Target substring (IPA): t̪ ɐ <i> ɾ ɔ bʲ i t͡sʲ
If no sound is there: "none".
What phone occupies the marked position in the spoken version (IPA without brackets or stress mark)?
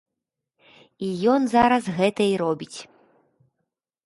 i